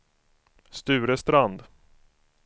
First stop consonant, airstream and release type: plain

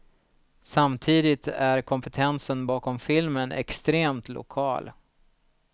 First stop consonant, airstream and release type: aspirated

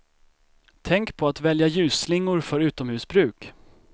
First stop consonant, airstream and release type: aspirated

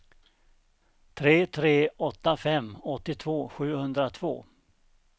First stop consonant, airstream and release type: aspirated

